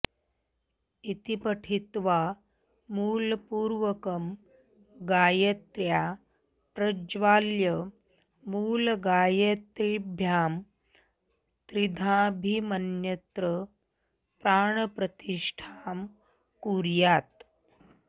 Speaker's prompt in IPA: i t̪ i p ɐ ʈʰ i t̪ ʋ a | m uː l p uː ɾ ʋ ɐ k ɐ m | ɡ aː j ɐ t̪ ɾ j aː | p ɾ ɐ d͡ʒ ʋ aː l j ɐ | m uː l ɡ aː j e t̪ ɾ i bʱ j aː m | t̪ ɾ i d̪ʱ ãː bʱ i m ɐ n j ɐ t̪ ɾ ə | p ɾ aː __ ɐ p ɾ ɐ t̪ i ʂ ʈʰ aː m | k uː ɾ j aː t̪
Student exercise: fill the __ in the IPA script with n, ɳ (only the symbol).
ɳ